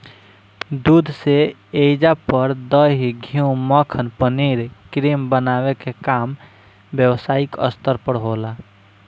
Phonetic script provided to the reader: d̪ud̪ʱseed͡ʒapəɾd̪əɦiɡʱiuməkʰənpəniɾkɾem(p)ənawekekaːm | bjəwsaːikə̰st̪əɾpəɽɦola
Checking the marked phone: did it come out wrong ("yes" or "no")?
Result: yes